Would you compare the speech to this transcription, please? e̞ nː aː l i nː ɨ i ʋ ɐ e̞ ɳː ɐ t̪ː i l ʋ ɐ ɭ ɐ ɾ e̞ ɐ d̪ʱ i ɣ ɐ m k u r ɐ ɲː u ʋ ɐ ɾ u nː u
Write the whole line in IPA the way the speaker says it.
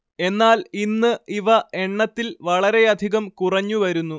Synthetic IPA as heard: e̞ nː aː l i nː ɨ i ʋ ɐ e̞ ɳː ɐ t̪ː i l ʋ ɐ ɭ ɐ ɾ e̞ ɐ d̪ʱ i ɣ ɐ m k u r ɐ ɲː u ʋ ɐ ɾ u nː u